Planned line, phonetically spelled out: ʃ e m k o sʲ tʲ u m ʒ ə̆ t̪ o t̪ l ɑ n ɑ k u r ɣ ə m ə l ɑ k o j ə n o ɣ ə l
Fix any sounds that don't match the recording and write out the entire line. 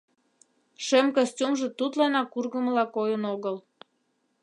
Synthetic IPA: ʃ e m k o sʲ tʲ u m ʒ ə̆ t̪ u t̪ l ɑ n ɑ k u r ɣ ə m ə l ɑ k o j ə n o ɣ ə l